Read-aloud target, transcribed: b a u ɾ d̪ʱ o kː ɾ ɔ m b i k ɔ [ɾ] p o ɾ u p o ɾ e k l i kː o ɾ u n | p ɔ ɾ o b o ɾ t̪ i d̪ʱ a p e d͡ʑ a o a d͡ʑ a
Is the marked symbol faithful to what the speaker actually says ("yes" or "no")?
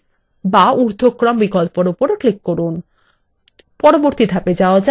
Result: no